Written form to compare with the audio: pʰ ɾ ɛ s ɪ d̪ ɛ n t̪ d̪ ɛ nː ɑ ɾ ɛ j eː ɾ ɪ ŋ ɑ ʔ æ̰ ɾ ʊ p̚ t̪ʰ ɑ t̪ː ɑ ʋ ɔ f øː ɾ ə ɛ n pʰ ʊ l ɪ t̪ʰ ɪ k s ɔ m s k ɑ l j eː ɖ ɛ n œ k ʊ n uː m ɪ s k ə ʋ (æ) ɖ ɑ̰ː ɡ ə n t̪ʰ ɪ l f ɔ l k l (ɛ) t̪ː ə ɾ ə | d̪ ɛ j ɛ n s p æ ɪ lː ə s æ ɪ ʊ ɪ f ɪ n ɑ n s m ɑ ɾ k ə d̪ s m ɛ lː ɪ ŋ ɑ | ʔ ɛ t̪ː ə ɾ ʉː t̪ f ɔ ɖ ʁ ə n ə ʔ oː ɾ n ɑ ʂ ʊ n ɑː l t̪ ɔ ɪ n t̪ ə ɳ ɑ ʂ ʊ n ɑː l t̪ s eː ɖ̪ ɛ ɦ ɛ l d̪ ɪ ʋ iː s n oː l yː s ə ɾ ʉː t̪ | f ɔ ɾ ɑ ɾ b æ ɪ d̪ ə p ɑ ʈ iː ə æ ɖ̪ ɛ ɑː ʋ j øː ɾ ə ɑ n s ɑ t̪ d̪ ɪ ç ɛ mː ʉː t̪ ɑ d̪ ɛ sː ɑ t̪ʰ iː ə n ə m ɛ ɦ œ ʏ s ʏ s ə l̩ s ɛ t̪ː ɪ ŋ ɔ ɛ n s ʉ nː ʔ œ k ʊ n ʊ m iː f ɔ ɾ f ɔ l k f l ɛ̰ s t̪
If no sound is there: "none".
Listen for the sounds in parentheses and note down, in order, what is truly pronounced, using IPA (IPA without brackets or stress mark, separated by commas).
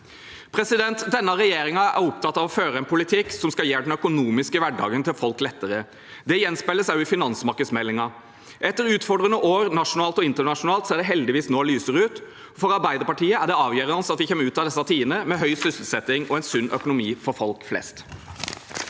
æ, ɛ